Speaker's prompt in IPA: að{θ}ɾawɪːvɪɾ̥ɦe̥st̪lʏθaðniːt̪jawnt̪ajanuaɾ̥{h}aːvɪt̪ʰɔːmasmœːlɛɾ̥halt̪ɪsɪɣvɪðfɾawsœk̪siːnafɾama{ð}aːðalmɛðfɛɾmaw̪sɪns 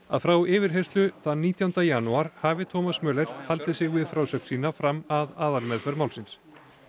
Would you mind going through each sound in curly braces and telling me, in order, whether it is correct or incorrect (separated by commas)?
incorrect, correct, correct